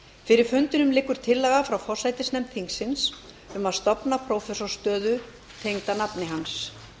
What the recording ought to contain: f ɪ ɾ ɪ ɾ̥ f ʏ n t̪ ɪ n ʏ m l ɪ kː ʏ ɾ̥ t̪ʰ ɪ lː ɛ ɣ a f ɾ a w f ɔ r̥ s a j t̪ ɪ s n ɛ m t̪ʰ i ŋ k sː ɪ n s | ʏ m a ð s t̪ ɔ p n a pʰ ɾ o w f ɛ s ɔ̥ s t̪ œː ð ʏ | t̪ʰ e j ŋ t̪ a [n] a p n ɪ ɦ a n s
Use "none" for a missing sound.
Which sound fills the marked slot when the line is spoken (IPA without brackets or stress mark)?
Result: n